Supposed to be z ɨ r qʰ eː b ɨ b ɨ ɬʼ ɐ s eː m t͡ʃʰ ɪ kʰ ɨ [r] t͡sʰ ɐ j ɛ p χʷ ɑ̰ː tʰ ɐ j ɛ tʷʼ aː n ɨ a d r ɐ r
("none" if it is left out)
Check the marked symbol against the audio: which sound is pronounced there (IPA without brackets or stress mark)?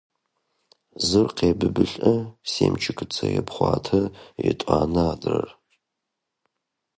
none